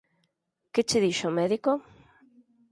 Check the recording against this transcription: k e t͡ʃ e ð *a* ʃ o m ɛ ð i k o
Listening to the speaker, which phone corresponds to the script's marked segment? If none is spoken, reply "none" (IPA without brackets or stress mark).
i